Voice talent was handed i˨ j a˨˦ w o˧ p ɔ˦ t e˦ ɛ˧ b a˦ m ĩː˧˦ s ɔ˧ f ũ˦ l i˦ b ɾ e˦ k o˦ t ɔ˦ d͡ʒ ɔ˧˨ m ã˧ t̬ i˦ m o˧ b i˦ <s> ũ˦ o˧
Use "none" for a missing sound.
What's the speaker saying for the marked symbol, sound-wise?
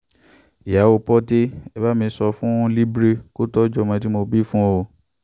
f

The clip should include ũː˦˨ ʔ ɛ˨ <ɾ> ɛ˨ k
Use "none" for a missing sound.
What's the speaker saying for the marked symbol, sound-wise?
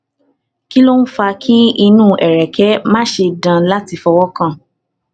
ɾ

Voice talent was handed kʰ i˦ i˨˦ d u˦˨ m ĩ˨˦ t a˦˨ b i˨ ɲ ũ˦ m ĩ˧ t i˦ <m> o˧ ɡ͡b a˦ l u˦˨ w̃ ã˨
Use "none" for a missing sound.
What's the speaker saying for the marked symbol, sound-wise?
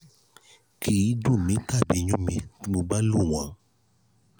m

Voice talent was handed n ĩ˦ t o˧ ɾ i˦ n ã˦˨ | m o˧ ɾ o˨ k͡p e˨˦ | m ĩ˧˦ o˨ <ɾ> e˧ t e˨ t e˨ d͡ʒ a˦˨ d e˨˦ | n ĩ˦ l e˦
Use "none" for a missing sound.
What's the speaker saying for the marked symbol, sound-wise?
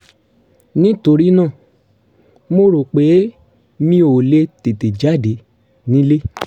l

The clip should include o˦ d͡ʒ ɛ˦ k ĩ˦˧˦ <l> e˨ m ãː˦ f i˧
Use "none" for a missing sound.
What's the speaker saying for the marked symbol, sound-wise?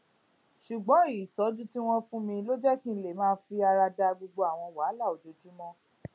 l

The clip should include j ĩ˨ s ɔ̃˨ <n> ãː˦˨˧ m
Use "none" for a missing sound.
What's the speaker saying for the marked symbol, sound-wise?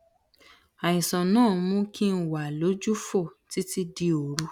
n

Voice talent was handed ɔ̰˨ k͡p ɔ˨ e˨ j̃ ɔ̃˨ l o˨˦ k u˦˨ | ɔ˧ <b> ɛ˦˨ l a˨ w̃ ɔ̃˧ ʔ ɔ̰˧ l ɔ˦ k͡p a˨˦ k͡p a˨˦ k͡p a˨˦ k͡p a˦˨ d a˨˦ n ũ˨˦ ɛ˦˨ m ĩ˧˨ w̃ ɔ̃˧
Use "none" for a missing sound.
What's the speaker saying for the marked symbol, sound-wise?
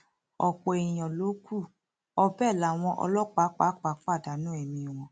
b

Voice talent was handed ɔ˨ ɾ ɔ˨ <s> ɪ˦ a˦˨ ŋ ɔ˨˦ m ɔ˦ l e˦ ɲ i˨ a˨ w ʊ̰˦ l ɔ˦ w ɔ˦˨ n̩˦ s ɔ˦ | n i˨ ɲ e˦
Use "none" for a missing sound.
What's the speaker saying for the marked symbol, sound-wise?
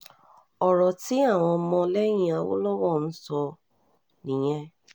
t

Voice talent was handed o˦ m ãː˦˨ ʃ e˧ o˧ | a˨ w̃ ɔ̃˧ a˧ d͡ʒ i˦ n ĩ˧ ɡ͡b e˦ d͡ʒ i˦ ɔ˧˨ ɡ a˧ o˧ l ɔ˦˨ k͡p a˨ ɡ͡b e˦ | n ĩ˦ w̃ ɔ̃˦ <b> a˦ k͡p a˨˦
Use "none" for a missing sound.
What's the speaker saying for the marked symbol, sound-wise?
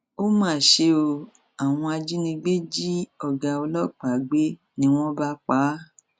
b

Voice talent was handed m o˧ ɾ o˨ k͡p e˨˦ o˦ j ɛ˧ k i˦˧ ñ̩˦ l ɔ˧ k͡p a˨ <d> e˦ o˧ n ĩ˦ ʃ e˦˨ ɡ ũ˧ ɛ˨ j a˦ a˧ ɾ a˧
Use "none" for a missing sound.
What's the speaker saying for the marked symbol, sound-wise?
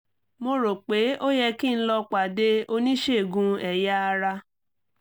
d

